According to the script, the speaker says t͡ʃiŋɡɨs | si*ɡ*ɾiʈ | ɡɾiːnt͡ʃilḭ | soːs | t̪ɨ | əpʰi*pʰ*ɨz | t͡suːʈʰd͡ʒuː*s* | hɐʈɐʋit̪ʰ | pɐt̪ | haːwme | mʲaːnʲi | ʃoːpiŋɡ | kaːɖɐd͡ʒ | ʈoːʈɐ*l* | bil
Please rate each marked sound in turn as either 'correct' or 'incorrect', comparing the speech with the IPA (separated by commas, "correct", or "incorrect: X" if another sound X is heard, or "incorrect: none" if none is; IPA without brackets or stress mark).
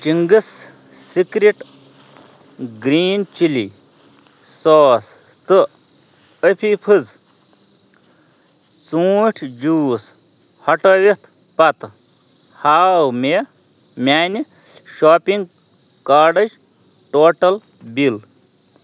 incorrect: k, correct, correct, correct